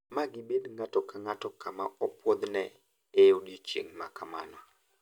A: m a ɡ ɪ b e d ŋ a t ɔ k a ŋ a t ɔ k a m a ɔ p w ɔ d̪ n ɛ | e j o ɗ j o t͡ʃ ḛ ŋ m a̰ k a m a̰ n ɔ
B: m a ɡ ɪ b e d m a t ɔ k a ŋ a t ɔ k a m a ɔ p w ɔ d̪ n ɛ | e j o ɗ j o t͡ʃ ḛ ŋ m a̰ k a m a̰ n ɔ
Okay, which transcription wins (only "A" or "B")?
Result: A